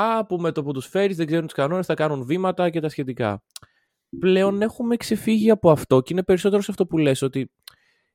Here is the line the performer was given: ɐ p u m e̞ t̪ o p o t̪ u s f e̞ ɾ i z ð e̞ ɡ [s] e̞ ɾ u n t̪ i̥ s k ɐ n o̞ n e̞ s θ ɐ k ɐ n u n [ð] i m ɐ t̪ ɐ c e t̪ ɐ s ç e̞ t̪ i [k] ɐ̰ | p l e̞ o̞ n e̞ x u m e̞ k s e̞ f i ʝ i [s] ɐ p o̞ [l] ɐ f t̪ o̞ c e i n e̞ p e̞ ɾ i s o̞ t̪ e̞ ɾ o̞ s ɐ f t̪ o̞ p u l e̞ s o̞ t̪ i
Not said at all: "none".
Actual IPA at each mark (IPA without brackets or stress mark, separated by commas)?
z, v, k, none, none